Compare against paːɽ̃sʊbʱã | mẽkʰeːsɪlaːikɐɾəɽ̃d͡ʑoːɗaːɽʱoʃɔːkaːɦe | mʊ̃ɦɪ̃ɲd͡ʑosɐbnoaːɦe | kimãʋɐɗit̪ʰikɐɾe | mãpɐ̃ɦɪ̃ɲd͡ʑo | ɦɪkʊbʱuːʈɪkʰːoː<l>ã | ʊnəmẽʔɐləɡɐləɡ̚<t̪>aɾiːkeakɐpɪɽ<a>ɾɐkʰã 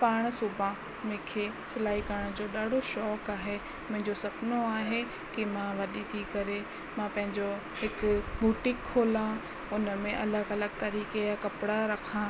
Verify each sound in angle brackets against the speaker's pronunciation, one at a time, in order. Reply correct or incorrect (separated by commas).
correct, correct, correct